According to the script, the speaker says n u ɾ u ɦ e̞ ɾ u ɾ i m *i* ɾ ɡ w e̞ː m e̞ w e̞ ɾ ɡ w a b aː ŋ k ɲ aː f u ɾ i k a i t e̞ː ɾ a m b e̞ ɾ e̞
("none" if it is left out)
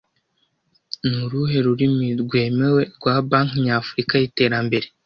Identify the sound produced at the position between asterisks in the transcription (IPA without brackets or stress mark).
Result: i